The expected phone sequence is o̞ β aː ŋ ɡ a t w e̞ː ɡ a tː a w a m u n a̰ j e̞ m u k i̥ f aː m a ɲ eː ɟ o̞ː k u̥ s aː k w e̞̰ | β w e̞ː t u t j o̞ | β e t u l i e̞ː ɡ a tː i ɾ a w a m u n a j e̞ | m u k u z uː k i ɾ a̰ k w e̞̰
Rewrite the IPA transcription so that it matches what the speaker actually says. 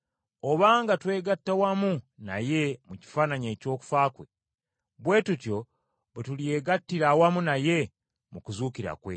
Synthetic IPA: o̞ β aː ŋ ɡ a t w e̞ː ɡ a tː a w a m u n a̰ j e̞ m u c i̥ f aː n a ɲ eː c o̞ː k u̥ f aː k w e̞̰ | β w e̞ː t u t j o̞ | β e t u l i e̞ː ɡ a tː i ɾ a w a m u n a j e̞ | m u k u z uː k i ɾ a̰ k w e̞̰

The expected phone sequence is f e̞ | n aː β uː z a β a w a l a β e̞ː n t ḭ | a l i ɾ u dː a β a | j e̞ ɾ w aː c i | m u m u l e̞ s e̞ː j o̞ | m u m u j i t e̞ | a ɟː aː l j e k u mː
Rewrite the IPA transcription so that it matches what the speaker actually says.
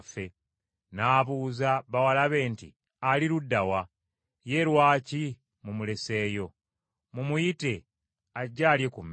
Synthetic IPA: f e̞ | n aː β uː z a β a w a l a β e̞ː n t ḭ | a l i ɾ u dː a w a | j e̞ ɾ w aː c i | m u m u l e̞ s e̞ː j o̞ | m u m u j i t e̞ | a ɟː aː l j e k u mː

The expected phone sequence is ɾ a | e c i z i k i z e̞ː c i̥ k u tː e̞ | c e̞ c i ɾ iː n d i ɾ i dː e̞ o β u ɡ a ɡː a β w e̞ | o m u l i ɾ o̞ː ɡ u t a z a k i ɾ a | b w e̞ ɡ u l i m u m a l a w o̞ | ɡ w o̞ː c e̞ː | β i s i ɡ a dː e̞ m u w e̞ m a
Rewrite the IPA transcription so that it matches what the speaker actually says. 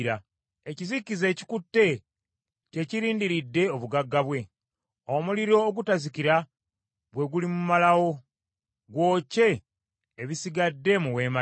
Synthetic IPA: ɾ a | e c i z i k i z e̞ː c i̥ k u tː e̞ | c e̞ c i ɾ iː n d i ɾ i dː e̞ o β u ɡ a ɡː a β w e̞ | o m u l i ɾ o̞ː ɡ u t a z i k i ɾ a | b w e̞ ɡ u l i m u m a l a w o̞ | ɡ w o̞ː c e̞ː | β i s i ɡ a dː e̞ m u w e̞ m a

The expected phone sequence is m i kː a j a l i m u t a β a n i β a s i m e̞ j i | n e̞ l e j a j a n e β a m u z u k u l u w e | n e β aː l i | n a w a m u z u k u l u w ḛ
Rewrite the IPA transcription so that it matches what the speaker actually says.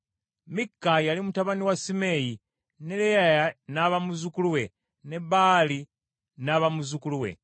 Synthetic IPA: m i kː a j a l i m u t a β a n i w a s i m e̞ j i | n e̞ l e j a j a n a β a m u z u k u l u w e | n e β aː l i | n a β a m u z u k u l u w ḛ

